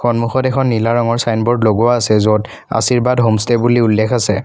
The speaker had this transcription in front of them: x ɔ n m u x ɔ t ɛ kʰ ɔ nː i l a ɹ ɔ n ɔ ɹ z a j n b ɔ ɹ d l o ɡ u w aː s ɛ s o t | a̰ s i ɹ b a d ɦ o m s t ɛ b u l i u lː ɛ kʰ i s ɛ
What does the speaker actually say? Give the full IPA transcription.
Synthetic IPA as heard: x ɔ n m u x ɔ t ɛ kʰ ɔ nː i l a ɹ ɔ ŋ ɔ ɹ s a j n b ɔ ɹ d l o ɡ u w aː s ɛ z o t | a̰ s i ɹ b a d ɦ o m s t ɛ b u l i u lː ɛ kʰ a s ɛ